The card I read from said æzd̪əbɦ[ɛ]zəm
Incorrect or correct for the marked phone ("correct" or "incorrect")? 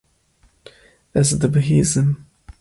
incorrect